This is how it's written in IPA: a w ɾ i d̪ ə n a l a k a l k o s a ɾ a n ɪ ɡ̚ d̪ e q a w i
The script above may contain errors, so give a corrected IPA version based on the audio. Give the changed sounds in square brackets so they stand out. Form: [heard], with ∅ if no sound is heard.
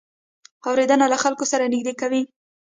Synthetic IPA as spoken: a w ɾ [e] d̪ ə n a l a [x] a l k o s a ɾ a n ɪ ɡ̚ d̪ e [k] a w i